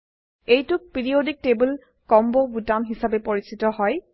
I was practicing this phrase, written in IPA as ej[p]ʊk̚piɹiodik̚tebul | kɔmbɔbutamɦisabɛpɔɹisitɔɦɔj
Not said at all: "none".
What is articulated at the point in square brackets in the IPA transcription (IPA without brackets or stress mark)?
t